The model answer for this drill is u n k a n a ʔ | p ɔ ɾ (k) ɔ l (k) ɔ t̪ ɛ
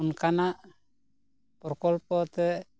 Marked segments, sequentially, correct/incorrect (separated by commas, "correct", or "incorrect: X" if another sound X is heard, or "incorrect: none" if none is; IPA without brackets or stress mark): correct, incorrect: p